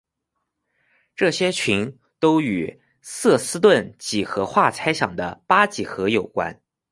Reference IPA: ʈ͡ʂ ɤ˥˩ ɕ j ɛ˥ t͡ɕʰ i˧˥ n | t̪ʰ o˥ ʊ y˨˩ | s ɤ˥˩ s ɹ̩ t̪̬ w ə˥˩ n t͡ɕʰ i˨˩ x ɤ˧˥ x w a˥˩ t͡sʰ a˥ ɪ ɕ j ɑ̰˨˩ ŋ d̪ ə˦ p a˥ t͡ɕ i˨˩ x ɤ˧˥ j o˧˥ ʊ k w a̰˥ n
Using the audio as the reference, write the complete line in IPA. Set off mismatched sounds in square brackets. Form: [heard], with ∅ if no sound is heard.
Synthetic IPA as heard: ʈ͡ʂ ɤ˥˩ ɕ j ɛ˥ t͡ɕʰ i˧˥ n | [t̪] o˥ ʊ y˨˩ | s ɤ˥˩ s ɹ̩ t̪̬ w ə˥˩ n [t͡ɕ] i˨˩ x ɤ˧˥ x w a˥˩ t͡sʰ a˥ ɪ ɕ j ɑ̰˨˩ ŋ d̪ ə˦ p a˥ t͡ɕ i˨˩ x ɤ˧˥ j [o˨˩] ʊ k w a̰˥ n

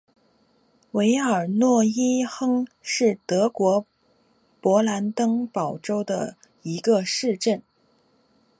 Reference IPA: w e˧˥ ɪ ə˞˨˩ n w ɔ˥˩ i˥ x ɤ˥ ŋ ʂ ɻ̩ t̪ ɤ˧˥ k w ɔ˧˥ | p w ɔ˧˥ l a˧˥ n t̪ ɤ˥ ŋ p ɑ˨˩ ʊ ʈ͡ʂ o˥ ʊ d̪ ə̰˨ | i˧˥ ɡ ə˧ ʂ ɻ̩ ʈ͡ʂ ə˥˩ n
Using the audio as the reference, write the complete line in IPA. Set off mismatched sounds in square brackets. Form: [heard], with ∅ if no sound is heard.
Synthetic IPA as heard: w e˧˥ ɪ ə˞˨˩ n w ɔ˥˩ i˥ x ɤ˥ ŋ ʂ ɻ̩ t̪ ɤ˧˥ k w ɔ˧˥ | p w ɔ˧˥ l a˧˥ n t̪ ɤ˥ ŋ p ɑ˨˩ ʊ ʈ͡ʂ o˥ ʊ d̪ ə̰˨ | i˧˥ ɡ ə˧ ʂ ɻ̩ ʈ͡ʂ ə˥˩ n

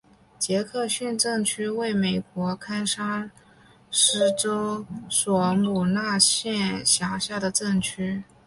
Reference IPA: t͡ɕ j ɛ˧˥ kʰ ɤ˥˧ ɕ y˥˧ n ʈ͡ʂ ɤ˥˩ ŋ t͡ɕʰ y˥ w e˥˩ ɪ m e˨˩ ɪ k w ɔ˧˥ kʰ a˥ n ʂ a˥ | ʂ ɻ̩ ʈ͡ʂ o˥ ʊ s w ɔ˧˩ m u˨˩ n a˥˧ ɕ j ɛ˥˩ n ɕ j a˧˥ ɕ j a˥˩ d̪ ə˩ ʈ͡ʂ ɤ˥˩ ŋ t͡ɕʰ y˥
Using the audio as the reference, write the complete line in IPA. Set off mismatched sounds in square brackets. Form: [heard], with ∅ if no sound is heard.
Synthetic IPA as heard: t͡ɕ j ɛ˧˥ kʰ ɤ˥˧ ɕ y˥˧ n ʈ͡ʂ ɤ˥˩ ŋ t͡ɕʰ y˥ w e˥˩ ɪ m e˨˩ ɪ k w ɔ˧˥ kʰ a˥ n ʂ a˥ | ʂ ɻ̩ ʈ͡ʂ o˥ ʊ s w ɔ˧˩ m u˨˩ n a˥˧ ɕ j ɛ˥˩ n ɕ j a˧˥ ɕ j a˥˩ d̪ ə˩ ʈ͡ʂ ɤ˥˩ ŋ t͡ɕʰ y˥

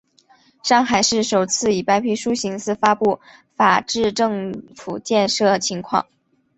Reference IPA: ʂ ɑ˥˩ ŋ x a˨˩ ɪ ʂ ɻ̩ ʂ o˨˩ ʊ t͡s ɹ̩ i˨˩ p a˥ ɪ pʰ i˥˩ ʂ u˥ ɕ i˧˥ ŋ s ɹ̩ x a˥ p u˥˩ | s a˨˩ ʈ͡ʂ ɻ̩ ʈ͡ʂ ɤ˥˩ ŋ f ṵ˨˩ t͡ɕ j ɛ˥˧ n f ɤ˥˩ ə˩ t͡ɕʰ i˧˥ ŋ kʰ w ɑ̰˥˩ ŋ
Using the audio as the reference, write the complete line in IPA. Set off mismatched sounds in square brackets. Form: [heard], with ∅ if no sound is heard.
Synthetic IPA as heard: ʂ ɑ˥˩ ŋ x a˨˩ ɪ ʂ ɻ̩ ʂ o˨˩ ʊ [t͡sʰ] ɹ̩ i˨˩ p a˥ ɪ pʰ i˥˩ ʂ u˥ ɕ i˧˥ ŋ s ɹ̩ [f] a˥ p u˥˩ | [f] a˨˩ ʈ͡ʂ ɻ̩ ʈ͡ʂ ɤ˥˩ ŋ f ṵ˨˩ t͡ɕ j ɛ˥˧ n [ʂ] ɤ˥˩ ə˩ t͡ɕʰ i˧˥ ŋ kʰ w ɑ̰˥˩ ŋ

